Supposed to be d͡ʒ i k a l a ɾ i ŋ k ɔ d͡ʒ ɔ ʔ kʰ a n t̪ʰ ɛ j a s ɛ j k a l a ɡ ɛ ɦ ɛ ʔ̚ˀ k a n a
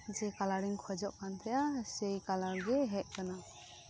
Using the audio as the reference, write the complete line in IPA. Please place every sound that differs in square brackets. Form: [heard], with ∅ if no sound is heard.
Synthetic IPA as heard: d͡ʒ [ɛ] k a l a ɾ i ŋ [kʰ] ɔ d͡ʒ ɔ ʔ [k] a n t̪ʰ ɛ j a s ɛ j k a l a ɡ ɛ ɦ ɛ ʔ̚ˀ k a n a